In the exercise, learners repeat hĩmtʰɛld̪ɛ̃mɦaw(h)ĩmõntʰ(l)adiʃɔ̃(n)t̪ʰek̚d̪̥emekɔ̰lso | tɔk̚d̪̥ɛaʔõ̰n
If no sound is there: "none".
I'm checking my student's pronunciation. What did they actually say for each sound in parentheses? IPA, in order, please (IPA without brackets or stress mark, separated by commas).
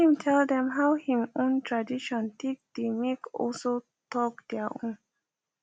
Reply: h, ɹ, n